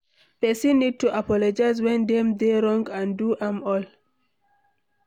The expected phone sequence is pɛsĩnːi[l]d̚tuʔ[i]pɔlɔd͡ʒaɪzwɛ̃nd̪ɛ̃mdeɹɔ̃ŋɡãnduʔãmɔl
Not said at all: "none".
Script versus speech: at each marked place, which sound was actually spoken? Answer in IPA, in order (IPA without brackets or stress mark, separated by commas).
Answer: none, a